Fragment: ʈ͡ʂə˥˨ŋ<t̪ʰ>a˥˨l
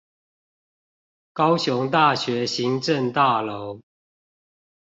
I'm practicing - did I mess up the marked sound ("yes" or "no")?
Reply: yes